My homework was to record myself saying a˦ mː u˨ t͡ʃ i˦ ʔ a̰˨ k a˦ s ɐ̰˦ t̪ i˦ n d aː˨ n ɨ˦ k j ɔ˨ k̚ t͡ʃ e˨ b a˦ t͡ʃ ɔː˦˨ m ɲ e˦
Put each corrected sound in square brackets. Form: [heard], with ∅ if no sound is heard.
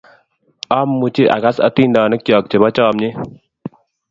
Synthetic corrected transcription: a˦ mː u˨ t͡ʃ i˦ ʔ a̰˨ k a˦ s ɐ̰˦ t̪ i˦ n d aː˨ n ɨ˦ k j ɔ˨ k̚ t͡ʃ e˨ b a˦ t͡ʃ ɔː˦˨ m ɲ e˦